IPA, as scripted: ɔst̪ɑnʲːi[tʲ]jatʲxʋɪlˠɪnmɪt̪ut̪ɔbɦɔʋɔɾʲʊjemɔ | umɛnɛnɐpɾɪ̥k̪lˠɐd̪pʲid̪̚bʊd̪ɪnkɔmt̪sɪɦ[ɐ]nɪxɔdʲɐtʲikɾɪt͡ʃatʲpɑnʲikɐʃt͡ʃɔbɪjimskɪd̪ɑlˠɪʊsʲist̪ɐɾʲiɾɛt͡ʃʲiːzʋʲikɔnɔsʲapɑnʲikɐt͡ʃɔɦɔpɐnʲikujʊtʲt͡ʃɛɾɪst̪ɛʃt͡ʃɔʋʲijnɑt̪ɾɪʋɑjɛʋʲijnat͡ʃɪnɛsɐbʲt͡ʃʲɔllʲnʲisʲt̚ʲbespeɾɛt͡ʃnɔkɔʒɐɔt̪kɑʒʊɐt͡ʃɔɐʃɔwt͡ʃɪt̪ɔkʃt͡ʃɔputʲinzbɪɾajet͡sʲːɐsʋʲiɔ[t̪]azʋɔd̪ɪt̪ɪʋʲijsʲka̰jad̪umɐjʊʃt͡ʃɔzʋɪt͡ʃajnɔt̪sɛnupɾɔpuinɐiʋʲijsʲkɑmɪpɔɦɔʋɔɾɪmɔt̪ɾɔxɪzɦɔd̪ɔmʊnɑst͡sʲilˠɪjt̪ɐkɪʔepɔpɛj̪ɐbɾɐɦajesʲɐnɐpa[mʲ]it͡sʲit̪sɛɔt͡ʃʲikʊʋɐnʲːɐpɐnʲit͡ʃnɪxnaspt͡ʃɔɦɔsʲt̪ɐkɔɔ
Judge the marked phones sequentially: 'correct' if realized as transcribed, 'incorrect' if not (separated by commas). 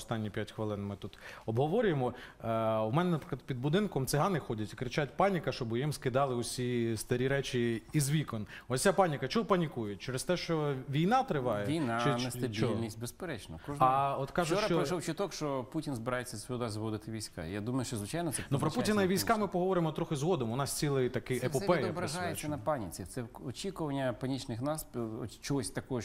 incorrect, incorrect, incorrect, incorrect